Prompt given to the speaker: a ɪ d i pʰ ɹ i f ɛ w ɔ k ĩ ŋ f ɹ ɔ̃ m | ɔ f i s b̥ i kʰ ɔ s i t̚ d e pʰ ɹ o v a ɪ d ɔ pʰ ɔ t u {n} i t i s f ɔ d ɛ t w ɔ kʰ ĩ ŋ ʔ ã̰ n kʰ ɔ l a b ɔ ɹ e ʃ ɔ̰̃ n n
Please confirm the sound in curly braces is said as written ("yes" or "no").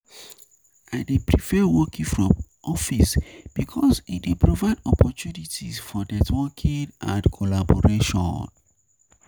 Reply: yes